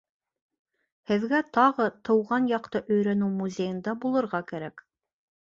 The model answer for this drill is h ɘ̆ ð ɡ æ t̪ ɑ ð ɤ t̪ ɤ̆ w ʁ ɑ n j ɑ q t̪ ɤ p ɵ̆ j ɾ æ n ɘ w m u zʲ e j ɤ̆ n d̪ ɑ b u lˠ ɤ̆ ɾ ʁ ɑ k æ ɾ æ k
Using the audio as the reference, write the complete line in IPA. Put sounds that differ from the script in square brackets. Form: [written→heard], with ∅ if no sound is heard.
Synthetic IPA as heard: h ɘ̆ ð ɡ æ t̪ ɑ [ð→ʁ] ɤ t̪ ɤ̆ w ʁ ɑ n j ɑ q t̪ ɤ [p→ʔ] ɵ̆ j ɾ æ n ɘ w m u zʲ e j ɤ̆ n d̪ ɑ b u lˠ ɤ̆ ɾ ʁ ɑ k æ ɾ æ k

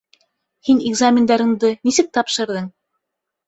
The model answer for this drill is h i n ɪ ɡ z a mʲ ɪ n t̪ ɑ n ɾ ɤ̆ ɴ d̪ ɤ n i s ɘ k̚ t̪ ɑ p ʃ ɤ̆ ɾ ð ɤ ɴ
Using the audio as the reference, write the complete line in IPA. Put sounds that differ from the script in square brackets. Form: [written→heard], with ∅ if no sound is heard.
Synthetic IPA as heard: h i n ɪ ɡ z a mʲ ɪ n [t̪→d̪] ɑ [n→∅] ɾ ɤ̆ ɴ d̪ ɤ n i s ɘ k̚ t̪ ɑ p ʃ ɤ̆ ɾ ð ɤ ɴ

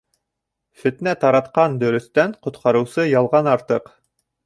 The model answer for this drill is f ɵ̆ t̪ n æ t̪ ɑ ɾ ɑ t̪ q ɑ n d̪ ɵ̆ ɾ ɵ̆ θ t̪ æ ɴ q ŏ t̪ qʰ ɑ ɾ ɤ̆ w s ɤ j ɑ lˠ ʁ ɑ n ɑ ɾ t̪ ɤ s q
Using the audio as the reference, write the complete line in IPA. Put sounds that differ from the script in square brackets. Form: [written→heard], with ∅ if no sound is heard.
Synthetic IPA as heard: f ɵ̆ t̪ n æ t̪ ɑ ɾ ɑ t̪ q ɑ n d̪ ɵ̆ ɾ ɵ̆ θ t̪ æ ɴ q ŏ t̪ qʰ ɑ ɾ ɤ̆ w s ɤ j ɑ lˠ ʁ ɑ n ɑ ɾ t̪ ɤ [s→∅] q

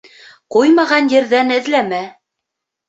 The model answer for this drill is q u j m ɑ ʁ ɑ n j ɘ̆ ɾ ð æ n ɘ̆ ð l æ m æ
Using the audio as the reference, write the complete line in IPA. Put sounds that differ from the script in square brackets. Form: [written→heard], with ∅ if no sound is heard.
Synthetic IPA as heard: q u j m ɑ ʁ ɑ n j ɘ̆ ɾ ð æ n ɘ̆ ð l æ m æ

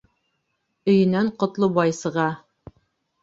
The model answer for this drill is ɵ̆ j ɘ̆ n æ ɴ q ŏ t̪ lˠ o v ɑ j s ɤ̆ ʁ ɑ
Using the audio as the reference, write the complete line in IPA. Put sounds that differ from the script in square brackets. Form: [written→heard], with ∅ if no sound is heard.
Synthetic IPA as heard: ɵ̆ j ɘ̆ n æ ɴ q ŏ t̪ lˠ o [v→b] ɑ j s ɤ̆ ʁ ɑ

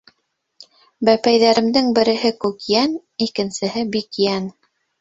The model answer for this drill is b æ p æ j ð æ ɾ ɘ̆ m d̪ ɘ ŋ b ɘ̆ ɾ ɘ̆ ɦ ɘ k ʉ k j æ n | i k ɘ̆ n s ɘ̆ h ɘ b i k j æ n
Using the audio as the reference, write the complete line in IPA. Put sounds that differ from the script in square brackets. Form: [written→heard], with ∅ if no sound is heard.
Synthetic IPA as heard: b æ p æ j ð æ ɾ ɘ̆ m d̪ ɘ ŋ b ɘ̆ ɾ ɘ̆ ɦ ɘ k ʉ k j æ n | i k ɘ̆ n s ɘ̆ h ɘ b i k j æ n

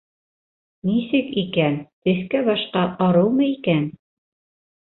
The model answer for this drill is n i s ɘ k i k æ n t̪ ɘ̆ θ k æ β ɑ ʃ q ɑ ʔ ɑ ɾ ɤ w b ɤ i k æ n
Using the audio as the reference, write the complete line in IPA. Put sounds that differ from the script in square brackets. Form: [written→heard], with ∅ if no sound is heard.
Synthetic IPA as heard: n i s ɘ k i k æ n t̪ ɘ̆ θ k æ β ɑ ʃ q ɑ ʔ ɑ ɾ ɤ w [b→m] ɤ i k æ n

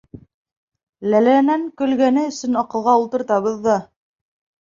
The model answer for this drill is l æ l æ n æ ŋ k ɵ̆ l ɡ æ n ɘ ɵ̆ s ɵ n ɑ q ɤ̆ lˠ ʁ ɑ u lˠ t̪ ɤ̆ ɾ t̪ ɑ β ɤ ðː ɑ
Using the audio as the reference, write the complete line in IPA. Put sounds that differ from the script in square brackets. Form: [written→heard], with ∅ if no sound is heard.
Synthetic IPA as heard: l æ l æ n æ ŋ k ɵ̆ l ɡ æ n ɘ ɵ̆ s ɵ n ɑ q ɤ̆ lˠ ʁ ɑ u lˠ t̪ ɤ̆ ɾ t̪ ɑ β ɤ ðː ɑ

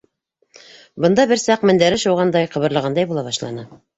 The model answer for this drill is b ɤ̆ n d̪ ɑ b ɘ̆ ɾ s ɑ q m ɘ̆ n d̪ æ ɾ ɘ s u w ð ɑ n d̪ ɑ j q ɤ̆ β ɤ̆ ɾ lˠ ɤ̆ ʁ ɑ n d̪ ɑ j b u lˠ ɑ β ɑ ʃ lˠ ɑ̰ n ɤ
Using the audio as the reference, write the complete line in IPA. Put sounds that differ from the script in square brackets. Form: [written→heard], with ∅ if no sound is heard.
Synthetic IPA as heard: b ɤ̆ n d̪ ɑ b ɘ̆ ɾ s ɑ q m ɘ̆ n d̪ æ ɾ ɘ [s→ʃ] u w [ð→ʁ] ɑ n d̪ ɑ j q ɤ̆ β ɤ̆ ɾ lˠ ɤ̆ ʁ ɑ n d̪ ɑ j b u lˠ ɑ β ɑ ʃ lˠ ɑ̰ n ɤ

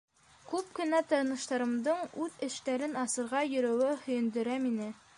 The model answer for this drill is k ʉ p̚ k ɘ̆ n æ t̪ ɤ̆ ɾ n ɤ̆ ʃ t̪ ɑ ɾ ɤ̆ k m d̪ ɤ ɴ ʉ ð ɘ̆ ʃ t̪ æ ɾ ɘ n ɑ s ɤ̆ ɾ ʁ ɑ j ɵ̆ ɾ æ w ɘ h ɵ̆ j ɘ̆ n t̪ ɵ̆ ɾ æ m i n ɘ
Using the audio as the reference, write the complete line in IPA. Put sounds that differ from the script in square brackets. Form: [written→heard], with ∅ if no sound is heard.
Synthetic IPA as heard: k ʉ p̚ k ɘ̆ n æ t̪ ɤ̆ ɾ n ɤ̆ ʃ t̪ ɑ ɾ ɤ̆ [k→∅] m d̪ ɤ ɴ ʉ ð ɘ̆ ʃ t̪ æ ɾ ɘ n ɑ s ɤ̆ ɾ ʁ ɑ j ɵ̆ ɾ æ w ɘ h ɵ̆ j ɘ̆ n [t̪→d̪] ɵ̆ ɾ æ m i n ɘ

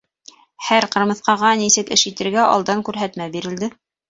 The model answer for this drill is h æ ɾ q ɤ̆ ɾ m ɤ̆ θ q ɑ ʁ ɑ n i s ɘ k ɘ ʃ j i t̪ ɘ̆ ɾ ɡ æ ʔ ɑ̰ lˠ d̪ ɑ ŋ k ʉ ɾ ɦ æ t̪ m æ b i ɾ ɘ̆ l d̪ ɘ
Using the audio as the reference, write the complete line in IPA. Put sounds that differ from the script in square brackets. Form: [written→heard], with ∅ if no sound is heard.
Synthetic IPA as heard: h æ ɾ q ɤ̆ ɾ m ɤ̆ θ q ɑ ʁ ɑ n i s ɘ k ɘ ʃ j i t̪ ɘ̆ ɾ ɡ æ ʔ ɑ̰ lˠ d̪ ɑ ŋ k ʉ ɾ ɦ æ t̪ m æ b i ɾ ɘ̆ l d̪ ɘ

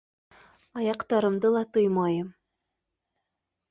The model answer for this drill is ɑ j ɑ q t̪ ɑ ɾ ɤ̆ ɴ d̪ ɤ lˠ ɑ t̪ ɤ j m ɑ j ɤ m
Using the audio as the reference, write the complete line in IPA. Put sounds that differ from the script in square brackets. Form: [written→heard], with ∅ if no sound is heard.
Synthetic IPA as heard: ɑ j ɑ q t̪ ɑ ɾ ɤ̆ [ɴ→m] d̪ ɤ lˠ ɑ t̪ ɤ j m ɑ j ɤ m

